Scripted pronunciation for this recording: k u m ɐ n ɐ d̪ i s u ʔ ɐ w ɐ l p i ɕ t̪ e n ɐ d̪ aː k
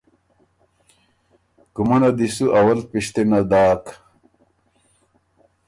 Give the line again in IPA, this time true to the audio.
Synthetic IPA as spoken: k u m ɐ n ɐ d̪ i s u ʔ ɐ w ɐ l p i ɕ t̪ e n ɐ d̪ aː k